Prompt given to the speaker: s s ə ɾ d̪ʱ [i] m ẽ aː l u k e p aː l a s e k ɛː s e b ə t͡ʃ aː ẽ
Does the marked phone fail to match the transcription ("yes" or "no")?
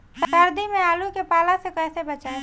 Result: no